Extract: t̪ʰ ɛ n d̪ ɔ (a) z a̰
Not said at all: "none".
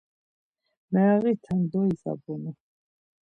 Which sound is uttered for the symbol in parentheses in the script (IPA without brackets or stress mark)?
i